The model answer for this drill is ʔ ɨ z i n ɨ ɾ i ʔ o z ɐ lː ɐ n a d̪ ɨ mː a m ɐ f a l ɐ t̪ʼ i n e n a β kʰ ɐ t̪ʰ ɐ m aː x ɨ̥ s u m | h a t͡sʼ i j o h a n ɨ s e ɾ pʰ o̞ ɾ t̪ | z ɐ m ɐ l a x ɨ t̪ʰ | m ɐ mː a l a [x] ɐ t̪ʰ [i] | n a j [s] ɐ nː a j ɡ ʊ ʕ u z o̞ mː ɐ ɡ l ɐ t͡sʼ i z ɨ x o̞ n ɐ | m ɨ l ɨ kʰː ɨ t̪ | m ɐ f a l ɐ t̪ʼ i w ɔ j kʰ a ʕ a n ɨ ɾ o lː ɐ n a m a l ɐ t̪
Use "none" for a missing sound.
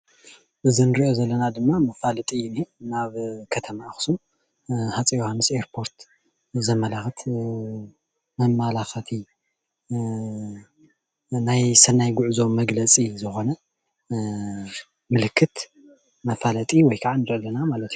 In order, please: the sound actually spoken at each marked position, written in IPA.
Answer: x, i, s

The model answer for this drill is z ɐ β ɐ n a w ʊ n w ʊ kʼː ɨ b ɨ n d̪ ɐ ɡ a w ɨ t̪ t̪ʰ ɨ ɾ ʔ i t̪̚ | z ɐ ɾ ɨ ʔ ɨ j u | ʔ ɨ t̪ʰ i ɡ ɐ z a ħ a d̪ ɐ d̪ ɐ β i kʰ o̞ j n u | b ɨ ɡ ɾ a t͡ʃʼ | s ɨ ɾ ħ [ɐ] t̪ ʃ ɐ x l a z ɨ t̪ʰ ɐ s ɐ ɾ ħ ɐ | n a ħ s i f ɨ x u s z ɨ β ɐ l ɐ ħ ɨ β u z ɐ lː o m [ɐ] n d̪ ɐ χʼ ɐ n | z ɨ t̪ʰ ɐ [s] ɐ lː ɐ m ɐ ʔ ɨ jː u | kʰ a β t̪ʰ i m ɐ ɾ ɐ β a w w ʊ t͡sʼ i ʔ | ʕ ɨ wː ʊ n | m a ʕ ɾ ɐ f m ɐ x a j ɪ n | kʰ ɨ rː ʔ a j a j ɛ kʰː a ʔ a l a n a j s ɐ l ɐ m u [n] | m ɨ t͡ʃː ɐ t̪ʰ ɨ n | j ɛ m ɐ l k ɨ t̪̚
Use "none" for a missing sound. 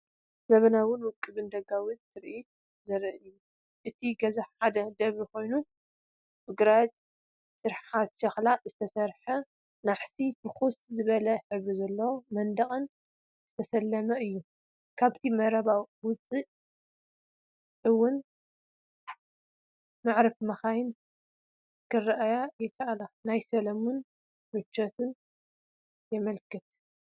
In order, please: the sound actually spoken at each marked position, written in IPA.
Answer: a, ɐ, s, n

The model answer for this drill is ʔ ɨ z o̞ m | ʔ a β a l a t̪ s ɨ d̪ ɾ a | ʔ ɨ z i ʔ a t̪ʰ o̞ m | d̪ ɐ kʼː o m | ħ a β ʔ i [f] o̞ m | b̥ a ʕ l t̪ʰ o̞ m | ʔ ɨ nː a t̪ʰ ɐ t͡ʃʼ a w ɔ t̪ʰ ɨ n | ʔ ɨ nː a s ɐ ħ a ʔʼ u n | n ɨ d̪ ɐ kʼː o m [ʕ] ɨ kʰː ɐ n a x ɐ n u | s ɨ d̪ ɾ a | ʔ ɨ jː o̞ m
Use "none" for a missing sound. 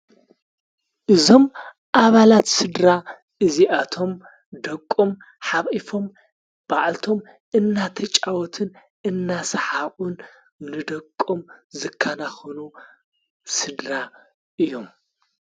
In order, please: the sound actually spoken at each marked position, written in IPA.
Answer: f, z

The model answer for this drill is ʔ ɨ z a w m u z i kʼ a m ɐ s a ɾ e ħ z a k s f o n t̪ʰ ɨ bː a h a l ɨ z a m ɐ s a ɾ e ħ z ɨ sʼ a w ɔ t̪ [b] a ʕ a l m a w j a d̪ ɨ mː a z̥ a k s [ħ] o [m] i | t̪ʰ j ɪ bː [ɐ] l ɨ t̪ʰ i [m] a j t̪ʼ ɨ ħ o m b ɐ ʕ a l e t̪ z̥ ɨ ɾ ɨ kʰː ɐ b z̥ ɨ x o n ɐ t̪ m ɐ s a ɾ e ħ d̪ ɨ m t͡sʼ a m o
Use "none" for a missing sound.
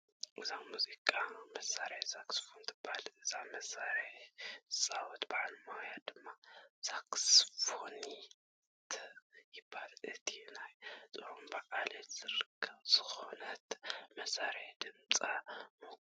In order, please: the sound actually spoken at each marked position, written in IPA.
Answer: b, f, n, a, n

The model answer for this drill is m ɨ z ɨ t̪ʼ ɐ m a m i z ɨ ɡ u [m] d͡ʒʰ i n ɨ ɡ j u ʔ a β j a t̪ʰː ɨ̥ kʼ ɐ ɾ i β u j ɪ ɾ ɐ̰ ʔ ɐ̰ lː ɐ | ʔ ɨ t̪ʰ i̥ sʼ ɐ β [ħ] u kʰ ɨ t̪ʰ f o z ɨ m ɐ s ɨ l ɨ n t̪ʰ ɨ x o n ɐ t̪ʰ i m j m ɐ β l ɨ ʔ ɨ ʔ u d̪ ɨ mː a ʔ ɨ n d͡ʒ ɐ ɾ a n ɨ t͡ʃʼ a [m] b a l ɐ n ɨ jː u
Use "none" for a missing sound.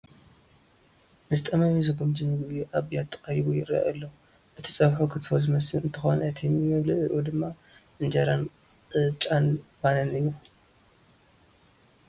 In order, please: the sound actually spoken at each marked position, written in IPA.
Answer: m, ħ, n

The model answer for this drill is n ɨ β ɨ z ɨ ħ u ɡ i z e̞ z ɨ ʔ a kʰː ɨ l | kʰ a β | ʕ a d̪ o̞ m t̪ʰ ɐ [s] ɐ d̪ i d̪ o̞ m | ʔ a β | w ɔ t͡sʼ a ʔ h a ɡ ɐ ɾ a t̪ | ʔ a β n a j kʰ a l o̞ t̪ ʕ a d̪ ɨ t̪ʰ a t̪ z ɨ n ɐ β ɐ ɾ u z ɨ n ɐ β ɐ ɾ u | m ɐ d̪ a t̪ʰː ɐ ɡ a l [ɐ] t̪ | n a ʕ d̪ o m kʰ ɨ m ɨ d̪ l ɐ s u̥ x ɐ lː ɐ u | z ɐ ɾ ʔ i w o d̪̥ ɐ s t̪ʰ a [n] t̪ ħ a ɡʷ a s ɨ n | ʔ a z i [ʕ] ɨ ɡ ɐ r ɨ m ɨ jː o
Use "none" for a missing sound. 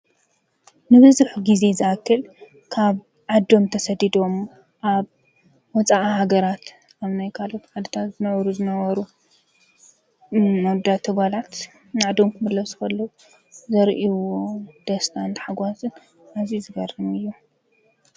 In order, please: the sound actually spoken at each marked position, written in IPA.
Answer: s, a, n, z

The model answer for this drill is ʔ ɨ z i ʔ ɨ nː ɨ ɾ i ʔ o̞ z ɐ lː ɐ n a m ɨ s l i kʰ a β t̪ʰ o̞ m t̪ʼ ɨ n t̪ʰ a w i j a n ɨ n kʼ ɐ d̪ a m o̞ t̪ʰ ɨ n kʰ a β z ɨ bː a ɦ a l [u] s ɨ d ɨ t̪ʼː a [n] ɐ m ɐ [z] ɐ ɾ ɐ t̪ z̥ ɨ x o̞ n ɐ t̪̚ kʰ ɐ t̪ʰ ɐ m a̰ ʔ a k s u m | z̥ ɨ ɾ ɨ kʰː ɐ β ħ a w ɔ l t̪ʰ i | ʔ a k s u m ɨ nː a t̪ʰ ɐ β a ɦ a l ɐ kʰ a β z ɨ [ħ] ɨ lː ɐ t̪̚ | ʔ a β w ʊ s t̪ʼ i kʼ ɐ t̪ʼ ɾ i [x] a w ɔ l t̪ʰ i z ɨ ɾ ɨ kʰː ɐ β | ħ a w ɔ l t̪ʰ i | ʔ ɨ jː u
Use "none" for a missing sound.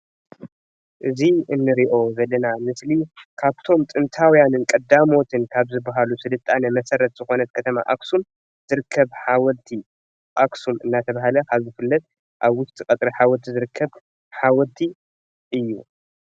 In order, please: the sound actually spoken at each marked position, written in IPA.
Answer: u, n, s, f, ħ

